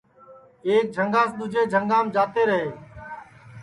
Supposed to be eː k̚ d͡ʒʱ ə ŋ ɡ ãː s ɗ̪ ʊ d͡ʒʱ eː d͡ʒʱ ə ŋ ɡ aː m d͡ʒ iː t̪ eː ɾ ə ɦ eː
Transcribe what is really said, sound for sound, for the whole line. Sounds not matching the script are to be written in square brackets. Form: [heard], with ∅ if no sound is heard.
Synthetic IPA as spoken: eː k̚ d͡ʒʱ ə ŋ ɡ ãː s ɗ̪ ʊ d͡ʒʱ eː d͡ʒʱ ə ŋ ɡ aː m d͡ʒ [aː] t̪ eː ɾ ə ɦ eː